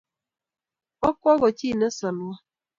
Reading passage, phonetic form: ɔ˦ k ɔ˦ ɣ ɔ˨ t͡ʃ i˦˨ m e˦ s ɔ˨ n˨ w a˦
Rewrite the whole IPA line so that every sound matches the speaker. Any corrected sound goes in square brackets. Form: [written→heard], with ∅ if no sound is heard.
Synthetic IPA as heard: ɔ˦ k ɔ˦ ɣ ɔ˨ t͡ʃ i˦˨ [m→n] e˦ s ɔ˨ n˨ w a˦